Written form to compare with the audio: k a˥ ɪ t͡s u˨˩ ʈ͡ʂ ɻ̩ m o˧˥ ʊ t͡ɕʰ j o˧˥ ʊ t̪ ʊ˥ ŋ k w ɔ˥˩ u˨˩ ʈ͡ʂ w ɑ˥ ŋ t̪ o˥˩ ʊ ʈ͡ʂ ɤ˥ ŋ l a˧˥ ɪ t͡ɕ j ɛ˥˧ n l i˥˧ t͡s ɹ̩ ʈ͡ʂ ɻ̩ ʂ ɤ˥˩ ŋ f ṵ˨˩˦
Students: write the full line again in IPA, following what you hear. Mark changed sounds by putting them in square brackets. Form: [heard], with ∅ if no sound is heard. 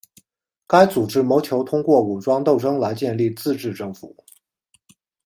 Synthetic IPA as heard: k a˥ ɪ t͡s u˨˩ ʈ͡ʂ ɻ̩ m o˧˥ ʊ t͡ɕʰ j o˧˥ ʊ [t̪ʰ] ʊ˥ ŋ k w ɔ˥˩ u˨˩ ʈ͡ʂ w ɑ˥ ŋ t̪ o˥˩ ʊ ʈ͡ʂ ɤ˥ ŋ l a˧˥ ɪ t͡ɕ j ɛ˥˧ n l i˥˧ t͡s ɹ̩ ʈ͡ʂ ɻ̩ [ʈ͡ʂ] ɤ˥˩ ŋ f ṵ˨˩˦